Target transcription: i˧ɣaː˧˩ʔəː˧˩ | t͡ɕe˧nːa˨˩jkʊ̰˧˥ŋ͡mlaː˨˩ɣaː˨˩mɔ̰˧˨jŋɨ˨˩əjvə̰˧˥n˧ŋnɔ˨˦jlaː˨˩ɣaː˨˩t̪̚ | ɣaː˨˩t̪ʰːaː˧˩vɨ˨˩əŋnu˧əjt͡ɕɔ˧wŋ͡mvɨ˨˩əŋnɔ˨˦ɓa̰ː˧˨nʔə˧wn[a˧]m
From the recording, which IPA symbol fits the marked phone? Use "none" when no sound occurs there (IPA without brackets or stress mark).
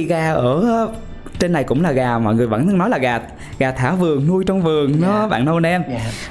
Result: ɛ˧